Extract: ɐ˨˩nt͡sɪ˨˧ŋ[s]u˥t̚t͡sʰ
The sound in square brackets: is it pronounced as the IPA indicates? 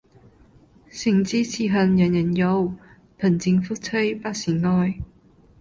no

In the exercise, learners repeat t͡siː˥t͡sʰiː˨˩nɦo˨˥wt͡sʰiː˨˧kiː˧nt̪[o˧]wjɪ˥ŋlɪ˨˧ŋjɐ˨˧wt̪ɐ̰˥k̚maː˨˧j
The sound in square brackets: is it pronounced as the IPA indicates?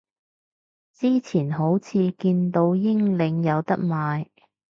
yes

